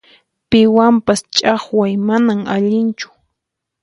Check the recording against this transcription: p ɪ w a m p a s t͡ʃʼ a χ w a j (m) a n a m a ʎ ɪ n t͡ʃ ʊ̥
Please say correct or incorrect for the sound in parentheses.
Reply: correct